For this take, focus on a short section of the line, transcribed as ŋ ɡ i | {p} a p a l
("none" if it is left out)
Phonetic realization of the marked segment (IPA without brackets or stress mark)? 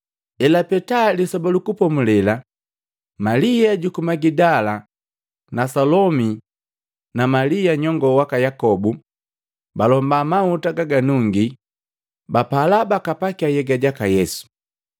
b